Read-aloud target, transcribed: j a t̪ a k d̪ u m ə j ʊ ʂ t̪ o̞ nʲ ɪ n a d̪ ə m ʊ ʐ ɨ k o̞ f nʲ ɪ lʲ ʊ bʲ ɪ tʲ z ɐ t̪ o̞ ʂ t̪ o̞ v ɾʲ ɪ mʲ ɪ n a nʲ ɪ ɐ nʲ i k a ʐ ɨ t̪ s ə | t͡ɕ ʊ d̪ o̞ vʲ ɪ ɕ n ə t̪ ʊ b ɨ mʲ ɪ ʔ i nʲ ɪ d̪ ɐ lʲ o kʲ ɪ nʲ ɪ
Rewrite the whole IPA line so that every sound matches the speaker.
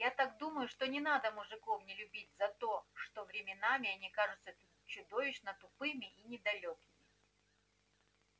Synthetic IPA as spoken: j a t̪ a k d̪ u m ə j ʊ ʂ t̪ o̞ nʲ ɪ n a d̪ ə m ʊ ʐ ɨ k o̞ f nʲ ɪ lʲ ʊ bʲ i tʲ z ɐ t̪ o̞ ʂ t̪ o̞ v ɾʲ ɪ mʲ ɪ n a mʲ ɪ ɐ nʲ i k a ʐ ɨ t̪ s ə | t͡ɕ ʊ d̪ o̞ vʲ ɪ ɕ n ə t̪ ʊ p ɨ mʲ ɪ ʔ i nʲ ɪ d̪ ɐ lʲ o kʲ ɪ mʲ ɪ